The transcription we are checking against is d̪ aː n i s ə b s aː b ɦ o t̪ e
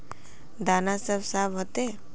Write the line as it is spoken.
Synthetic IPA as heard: d̪ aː n a s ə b s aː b ɦ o t̪ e